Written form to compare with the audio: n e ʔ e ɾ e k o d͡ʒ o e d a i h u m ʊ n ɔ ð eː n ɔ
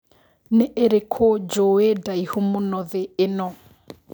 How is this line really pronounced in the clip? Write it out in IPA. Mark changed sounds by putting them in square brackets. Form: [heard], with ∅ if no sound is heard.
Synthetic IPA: n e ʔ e ɾ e [kʰ] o d͡ʒ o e d a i h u m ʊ n ɔ ð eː n ɔ

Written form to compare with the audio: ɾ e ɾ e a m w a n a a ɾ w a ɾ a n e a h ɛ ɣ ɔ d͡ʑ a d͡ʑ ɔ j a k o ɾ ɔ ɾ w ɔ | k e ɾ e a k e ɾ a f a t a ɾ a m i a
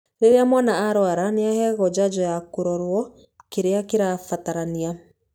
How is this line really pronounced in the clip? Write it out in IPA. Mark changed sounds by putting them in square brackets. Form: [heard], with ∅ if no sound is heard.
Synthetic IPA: ɾ e ɾ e a m w a n a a ɾ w a ɾ a n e a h ɛ ɣ ɔ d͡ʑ a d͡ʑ ɔ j a k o ɾ ɔ ɾ w ɔ | k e ɾ e a k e ɾ a f a t a ɾ a [n] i a

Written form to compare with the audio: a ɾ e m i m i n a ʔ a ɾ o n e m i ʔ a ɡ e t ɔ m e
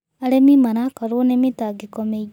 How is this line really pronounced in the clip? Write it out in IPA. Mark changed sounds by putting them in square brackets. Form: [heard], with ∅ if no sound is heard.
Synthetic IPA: a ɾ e m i m [a] n a [k] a ɾ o n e m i [t] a ɡ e [k] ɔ m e

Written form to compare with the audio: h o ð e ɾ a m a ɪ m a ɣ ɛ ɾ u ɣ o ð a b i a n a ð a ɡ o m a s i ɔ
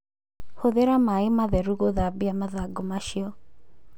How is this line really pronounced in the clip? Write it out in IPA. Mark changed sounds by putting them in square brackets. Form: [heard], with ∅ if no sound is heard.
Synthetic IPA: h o ð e ɾ a m a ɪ m a [ð] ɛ ɾ u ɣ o ð a b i a [m] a ð a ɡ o m a [ʃ] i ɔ

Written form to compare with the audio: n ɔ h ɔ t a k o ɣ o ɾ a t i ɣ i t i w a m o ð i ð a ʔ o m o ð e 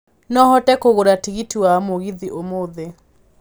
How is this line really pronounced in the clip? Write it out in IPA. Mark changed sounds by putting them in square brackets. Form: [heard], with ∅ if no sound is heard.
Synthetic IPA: n ɔ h ɔ t [ɛ] k o ɣ o ɾ a t i ɣ i t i w a m o [ɣ] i ð [i] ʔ o m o ð e

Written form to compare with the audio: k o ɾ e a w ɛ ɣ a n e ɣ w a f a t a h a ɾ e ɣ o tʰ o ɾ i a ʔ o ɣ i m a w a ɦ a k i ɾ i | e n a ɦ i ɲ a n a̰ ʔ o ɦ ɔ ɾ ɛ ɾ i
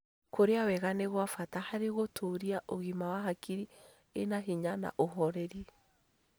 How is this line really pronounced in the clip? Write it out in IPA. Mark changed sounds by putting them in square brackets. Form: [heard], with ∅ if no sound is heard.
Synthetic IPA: k o ɾ e a w ɛ ɣ a n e ɣ w a f a t a h a ɾ e ɣ o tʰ o ɾ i a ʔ o ɣ i m a w a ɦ a k i ɾ i | e n a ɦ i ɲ a n a̰ ʔ o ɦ ɔ ɾ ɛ ɾ i

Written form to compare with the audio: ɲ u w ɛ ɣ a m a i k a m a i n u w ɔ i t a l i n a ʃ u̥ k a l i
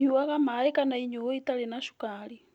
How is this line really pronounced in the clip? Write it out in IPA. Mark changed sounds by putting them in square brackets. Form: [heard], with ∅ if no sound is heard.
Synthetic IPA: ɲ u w [a] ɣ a m a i k a [n] a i [ɲ] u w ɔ i t a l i n a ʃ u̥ k a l i

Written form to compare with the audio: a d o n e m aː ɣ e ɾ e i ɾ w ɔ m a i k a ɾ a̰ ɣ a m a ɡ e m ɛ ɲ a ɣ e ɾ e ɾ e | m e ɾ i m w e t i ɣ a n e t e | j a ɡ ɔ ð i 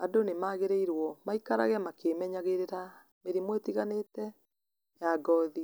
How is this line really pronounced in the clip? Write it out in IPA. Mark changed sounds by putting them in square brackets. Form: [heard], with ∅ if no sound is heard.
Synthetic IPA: a d o n e m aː ɣ e ɾ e i ɾ w ɔ m a i k a ɾ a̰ ɣ [ɛ] m a [k] e m ɛ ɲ a ɣ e ɾ e ɾ [a] | m e ɾ i m w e t i ɣ a n e t [ɛ] | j a ɡ ɔ ð i

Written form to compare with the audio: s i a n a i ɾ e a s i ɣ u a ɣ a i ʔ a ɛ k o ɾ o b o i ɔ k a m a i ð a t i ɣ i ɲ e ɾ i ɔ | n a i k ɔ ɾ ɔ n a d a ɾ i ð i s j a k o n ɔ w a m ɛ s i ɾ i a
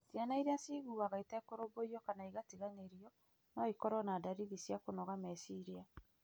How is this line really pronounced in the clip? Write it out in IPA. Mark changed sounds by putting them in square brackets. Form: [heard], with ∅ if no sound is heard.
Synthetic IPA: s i a n a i ɾ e a s i ɣ u a ɣ a i [t] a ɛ k o ɾ o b o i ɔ k a [n] a i [ɣ] a t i ɣ [a] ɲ e ɾ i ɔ | n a i k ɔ ɾ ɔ n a d a ɾ i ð i s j a k o n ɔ [ɣ] a m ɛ s i ɾ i a

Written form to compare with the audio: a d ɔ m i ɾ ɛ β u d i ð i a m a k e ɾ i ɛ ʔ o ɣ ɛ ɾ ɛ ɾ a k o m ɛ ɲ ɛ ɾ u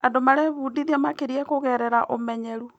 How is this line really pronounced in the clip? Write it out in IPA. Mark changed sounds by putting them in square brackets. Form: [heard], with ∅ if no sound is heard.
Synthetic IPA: a d [o] m [a] ɾ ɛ β u d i ð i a m a k e ɾ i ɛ [k] o ɣ ɛ ɾ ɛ ɾ a [ʔ] o m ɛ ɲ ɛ ɾ u

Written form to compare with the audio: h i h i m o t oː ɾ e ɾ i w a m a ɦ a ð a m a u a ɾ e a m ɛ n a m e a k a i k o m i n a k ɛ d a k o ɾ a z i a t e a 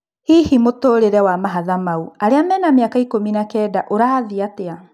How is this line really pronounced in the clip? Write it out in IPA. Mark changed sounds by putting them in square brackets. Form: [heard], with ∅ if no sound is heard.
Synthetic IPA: h i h i m o t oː ɾ e ɾ [ɛ] w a m a ɦ a ð a m a u a ɾ e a m ɛ n a m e a k a i k o m i n a k ɛ d a [ʔ] o ɾ a [ð] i a t e a

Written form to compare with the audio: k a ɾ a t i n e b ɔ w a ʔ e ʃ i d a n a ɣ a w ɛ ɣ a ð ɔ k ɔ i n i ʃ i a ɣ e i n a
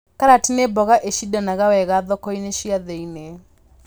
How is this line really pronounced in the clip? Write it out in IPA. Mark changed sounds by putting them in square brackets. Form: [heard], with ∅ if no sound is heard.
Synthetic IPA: k a ɾ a t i n e b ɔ [ɣ] a ʔ e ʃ i d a n a ɣ a w ɛ ɣ a ð ɔ k ɔ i n [e] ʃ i a [ð] e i n [e]

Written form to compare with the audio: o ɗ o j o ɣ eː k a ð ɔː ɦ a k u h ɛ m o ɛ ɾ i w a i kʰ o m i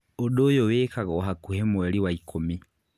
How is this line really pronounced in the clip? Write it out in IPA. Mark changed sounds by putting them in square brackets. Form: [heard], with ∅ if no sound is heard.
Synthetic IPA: o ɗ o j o [w] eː k a [ɣ] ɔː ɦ a k u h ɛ m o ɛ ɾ i w a i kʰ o m i

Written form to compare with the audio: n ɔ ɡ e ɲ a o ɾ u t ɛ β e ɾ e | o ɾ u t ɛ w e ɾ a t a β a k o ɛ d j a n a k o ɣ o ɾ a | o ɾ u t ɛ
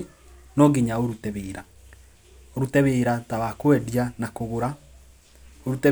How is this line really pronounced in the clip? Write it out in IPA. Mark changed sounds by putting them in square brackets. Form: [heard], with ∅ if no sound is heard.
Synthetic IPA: n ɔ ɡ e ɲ a o ɾ u t ɛ β e ɾ [a] | o ɾ u t ɛ [β] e ɾ a t a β a k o ɛ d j a n a k o ɣ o ɾ a | o ɾ u t ɛ

